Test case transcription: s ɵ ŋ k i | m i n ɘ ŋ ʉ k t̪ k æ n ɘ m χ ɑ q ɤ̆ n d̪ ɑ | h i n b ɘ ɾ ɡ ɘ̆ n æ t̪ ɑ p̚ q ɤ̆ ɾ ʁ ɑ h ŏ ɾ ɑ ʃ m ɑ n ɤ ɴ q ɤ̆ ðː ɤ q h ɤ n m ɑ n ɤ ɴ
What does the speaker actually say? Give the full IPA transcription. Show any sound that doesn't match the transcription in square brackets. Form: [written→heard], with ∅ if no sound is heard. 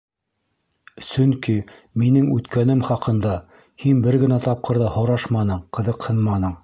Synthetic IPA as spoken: s ɵ ŋ k i | m i n ɘ ŋ ʉ [k→∅] t̪ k æ n ɘ m χ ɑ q ɤ̆ n d̪ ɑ | h i n b ɘ ɾ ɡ ɘ̆ n æ t̪ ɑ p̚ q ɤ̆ ɾ [ʁ→ð] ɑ h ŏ ɾ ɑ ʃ m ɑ n ɤ ɴ q ɤ̆ [ðː→ð] ɤ q h ɤ n m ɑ n ɤ ɴ

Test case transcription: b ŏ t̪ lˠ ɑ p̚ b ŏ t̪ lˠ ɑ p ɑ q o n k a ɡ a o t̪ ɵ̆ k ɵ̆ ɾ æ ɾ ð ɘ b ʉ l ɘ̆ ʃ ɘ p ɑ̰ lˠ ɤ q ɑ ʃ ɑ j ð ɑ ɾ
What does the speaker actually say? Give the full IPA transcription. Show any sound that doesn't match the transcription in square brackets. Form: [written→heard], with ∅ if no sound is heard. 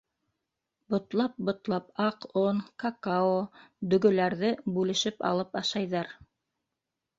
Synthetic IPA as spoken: b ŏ t̪ lˠ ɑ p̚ b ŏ t̪ lˠ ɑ p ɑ q o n k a [ɡ→k] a o [t̪→d̪] ɵ̆ [k→ɡ] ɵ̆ [ɾ→l] æ ɾ ð ɘ b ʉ l ɘ̆ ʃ ɘ p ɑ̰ lˠ ɤ [q→p] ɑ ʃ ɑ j ð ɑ ɾ

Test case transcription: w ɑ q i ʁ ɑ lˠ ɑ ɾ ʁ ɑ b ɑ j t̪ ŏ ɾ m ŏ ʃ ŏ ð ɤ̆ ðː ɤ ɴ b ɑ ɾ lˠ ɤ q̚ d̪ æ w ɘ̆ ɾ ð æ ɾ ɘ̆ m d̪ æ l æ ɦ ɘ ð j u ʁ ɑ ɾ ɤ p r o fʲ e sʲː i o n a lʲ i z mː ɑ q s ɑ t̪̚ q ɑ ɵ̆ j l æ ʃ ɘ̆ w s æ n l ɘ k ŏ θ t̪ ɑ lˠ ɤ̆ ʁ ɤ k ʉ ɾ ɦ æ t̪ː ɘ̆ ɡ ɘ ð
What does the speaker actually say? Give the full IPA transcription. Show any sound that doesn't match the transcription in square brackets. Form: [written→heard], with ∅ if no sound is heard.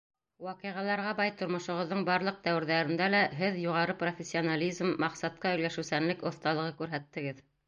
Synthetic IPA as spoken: w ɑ q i ʁ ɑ lˠ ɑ ɾ ʁ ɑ b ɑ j t̪ ŏ ɾ m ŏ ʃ ŏ [ð→ʁ] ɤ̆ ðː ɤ ɴ b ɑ ɾ lˠ ɤ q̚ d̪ æ w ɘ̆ ɾ ð æ ɾ ɘ̆ [m→n] d̪ æ l æ ɦ ɘ ð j u ʁ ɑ ɾ ɤ p r o fʲ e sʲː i o n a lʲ i z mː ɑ q s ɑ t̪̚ q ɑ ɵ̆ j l æ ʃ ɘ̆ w s æ n l ɘ k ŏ θ t̪ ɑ lˠ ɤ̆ ʁ ɤ k ʉ ɾ ɦ æ t̪ː ɘ̆ ɡ ɘ ð

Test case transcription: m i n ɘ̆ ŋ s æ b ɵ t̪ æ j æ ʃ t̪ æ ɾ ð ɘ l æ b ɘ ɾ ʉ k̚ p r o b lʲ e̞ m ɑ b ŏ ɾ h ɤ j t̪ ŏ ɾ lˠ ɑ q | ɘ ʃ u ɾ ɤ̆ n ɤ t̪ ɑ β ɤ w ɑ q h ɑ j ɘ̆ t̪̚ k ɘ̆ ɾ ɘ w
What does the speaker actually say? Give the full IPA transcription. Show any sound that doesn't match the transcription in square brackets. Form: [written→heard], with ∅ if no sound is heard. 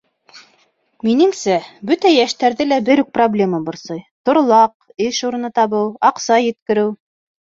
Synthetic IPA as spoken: m i n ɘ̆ ŋ s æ b ɵ t̪ æ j æ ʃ t̪ æ ɾ ð ɘ l æ b ɘ ɾ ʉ k̚ p r o b lʲ e̞ m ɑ b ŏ ɾ [h→s] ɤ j t̪ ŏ ɾ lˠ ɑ q | ɘ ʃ u ɾ ɤ̆ n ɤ t̪ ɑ β ɤ w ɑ q [h→s] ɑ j ɘ̆ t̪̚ k ɘ̆ ɾ ɘ w

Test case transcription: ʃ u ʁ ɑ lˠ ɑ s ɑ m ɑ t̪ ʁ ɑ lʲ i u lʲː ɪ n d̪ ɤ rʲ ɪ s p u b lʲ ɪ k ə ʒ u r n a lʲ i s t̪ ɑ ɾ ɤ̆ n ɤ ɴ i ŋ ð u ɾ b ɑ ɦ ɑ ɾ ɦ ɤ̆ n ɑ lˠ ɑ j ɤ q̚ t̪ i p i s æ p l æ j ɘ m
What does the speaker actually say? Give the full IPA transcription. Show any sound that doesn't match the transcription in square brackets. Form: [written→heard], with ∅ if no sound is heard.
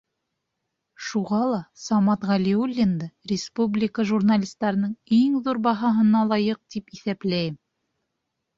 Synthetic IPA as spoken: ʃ u ʁ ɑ lˠ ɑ s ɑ m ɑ t̪ ʁ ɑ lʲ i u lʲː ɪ n d̪ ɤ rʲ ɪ s p u b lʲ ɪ k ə ʒ u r n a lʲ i s t̪ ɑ ɾ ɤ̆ n ɤ ɴ i ŋ ð u ɾ b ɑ ɦ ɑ [ɾ→∅] ɦ ɤ̆ n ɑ lˠ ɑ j ɤ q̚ t̪ i p i [s→θ] æ p l æ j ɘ m

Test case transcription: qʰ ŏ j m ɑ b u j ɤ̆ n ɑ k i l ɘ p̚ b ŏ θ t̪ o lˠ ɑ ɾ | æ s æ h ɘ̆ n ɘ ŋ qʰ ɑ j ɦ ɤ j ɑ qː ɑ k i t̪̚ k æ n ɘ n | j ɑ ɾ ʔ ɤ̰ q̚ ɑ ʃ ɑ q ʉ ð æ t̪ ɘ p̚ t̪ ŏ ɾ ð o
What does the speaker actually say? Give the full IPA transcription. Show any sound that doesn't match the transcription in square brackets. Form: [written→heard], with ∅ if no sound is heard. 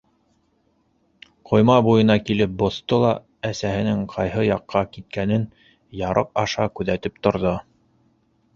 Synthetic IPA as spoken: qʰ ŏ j m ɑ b u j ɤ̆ n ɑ k i l ɘ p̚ b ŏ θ t̪ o lˠ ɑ [ɾ→∅] | æ s æ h ɘ̆ n ɘ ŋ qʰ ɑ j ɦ ɤ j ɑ qː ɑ k i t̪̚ k æ n ɘ n | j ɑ ɾ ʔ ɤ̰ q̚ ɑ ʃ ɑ [q→k] ʉ ð æ t̪ ɘ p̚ t̪ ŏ ɾ ð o

